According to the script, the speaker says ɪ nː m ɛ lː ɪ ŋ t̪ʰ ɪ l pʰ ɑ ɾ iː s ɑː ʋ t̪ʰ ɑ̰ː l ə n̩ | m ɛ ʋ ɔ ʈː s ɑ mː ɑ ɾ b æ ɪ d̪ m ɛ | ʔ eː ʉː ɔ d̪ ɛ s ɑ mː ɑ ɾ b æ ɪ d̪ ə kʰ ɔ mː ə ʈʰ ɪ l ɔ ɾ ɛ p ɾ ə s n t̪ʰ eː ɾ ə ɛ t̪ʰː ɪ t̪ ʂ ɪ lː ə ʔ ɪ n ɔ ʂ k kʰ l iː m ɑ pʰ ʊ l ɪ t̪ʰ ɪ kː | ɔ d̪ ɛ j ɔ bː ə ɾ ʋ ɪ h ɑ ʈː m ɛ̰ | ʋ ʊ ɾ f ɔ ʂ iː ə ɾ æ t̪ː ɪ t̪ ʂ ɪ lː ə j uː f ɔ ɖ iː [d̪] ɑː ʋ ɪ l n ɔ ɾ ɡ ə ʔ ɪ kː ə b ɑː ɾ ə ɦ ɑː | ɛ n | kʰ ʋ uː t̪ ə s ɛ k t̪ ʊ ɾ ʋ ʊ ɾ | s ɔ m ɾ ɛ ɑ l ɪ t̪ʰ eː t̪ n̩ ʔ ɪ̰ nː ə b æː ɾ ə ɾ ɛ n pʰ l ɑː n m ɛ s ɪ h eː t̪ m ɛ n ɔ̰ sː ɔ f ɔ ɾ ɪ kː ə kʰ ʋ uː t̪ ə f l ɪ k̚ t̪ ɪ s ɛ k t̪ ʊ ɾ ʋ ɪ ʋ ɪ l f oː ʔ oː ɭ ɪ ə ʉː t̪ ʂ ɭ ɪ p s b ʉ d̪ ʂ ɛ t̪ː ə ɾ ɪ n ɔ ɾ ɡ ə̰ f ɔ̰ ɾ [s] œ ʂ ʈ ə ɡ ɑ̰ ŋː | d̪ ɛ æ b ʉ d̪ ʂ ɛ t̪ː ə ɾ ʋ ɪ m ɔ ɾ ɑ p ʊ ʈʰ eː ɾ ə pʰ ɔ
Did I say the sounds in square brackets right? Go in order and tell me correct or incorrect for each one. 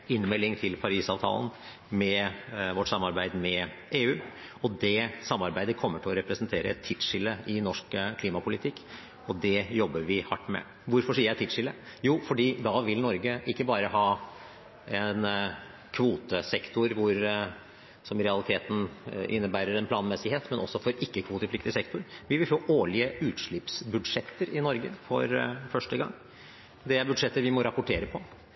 correct, incorrect: f

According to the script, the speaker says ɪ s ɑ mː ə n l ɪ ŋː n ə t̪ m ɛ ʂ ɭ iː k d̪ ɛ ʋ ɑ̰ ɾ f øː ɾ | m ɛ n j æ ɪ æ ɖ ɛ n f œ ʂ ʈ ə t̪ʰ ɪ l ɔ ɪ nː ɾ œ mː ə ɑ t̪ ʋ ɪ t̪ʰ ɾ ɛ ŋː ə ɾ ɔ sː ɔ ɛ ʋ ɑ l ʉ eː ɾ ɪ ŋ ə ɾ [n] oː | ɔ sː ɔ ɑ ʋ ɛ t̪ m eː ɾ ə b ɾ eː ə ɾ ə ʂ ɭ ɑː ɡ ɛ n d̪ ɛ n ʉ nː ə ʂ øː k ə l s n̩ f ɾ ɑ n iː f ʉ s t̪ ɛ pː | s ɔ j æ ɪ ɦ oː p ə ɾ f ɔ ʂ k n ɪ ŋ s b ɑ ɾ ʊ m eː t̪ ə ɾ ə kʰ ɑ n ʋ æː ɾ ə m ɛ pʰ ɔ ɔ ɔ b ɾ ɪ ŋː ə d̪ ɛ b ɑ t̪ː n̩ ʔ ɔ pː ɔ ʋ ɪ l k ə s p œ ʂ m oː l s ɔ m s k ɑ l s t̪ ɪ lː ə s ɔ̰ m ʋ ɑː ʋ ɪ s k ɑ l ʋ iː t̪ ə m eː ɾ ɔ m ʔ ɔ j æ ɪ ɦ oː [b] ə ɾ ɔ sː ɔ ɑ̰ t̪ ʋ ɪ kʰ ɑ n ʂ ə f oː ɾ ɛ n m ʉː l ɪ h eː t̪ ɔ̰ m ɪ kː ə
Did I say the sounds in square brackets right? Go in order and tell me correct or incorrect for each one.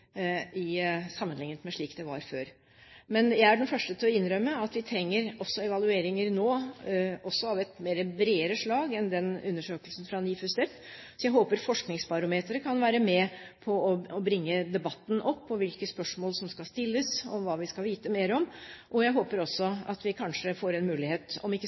correct, incorrect: p

